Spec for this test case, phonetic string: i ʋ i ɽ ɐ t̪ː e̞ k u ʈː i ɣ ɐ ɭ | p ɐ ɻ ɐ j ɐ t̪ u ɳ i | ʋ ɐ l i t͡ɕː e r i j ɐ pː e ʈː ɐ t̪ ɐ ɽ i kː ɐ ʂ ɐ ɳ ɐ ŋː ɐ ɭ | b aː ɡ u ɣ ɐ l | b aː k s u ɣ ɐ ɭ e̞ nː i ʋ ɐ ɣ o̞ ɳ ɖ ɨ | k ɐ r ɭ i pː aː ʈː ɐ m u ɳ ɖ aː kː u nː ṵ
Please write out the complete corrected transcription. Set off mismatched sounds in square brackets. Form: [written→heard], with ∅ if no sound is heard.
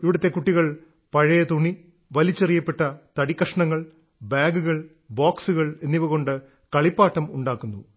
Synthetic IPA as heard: i ʋ i ɽ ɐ t̪ː e̞ k u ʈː i ɣ ɐ ɭ | p ɐ ɻ ɐ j ɐ t̪ u ɳ i | ʋ ɐ l i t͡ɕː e r i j ɐ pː e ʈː ɐ t̪ ɐ ɽ i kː ɐ ʂ ɐ ɳ ɐ ŋː ɐ ɭ | b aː ɡ u ɣ ɐ [l→ɭ] | b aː k s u ɣ ɐ ɭ e̞ nː i ʋ ɐ ɣ o̞ ɳ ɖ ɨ | k ɐ [r→∅] ɭ i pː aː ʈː ɐ m u ɳ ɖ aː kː u nː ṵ